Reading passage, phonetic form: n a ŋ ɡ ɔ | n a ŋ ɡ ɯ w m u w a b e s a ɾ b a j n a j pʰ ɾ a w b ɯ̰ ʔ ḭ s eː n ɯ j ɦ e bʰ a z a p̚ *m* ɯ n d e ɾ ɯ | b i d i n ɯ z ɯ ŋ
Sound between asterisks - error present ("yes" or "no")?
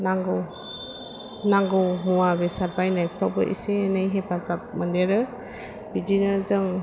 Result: no